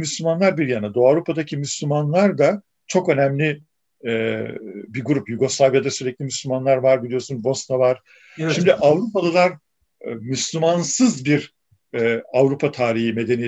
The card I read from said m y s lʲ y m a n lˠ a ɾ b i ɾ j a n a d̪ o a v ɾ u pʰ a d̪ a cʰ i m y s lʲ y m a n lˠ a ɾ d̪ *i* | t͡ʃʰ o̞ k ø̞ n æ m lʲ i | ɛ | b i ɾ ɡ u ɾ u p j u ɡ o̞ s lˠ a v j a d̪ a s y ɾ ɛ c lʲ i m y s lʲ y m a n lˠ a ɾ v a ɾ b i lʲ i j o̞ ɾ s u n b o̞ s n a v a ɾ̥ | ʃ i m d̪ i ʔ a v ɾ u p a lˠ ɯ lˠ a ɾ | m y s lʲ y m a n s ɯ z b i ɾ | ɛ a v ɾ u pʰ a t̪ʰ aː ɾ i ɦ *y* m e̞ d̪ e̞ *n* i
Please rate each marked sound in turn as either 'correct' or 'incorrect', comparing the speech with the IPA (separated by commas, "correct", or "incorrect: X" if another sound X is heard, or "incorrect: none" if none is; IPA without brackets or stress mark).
incorrect: a, incorrect: i, correct